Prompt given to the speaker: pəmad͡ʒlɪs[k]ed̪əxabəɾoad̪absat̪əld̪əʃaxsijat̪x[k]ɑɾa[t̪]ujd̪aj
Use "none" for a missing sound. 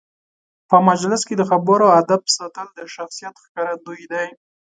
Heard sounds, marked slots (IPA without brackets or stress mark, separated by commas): k, k, d̪